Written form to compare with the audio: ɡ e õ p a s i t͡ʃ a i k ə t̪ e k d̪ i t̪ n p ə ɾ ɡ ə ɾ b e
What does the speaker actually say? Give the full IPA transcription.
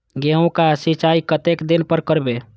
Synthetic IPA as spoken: ɡ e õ k a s i t͡ʃ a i k ə t̪ e k d̪ i n p ə ɾ k ə ɾ b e